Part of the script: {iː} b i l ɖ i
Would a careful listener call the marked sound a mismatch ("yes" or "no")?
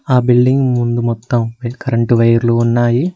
yes